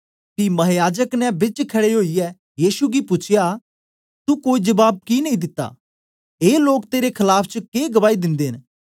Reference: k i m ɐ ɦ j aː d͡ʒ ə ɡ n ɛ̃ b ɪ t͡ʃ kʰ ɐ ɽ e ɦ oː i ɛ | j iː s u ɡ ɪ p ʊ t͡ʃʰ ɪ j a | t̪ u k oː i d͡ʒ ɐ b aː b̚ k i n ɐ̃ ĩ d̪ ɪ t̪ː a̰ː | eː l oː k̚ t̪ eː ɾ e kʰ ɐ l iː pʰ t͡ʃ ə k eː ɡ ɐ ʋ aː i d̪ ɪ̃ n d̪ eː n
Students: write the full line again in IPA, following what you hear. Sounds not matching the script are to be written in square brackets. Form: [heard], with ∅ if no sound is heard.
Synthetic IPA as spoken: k i m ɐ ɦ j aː d͡ʒ ə [k] n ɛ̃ b ɪ t͡ʃ kʰ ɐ ɽ e ɦ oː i ɛ | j iː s u ɡ [i] p ʊ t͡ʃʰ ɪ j a | t̪ u k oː i d͡ʒ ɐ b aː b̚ k i n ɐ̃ ĩ d̪ ɪ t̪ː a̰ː | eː l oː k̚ t̪ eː ɾ e kʰ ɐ l [aː] pʰ t͡ʃ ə k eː ɡ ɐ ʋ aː i d̪ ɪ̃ n d̪ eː n